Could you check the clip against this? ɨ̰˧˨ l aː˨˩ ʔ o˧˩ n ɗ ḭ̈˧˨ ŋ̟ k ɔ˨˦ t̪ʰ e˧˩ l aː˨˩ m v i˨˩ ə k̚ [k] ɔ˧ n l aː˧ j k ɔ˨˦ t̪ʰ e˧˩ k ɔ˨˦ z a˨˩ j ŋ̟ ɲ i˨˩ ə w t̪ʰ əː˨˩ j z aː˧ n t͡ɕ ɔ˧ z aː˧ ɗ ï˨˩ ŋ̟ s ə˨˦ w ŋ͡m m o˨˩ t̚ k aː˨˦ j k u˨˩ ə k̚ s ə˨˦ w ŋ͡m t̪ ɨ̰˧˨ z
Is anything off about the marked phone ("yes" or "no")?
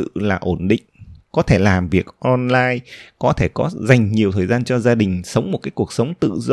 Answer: yes